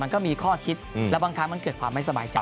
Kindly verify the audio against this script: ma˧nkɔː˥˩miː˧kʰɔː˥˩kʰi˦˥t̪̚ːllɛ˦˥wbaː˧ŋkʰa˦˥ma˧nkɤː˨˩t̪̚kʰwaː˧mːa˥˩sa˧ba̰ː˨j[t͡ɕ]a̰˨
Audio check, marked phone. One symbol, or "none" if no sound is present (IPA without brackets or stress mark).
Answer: t͡ɕ